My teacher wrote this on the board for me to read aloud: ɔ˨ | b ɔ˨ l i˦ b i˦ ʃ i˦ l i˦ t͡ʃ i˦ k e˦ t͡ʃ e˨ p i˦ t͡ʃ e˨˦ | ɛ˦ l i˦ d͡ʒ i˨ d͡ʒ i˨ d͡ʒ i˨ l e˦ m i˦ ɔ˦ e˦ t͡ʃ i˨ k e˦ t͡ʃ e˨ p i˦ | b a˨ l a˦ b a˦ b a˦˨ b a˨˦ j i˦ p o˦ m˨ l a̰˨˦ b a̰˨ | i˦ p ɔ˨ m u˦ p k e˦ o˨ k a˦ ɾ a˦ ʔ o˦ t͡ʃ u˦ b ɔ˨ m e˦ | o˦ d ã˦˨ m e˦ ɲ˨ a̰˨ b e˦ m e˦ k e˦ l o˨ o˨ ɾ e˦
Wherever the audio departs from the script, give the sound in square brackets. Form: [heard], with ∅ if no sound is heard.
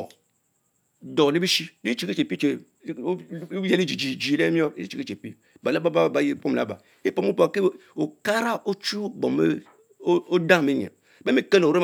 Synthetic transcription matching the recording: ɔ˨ | [d] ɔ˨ l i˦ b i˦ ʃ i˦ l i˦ t͡ʃ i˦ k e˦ t͡ʃ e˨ p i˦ t͡ʃ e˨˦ | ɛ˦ l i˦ d͡ʒ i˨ d͡ʒ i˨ d͡ʒ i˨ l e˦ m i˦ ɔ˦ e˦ t͡ʃ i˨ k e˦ t͡ʃ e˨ p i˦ | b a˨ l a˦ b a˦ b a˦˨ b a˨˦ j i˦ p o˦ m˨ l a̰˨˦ b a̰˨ | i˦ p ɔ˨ m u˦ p k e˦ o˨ k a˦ ɾ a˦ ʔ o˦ t͡ʃ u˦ b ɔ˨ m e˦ | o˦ d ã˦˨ m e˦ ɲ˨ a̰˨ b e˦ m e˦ k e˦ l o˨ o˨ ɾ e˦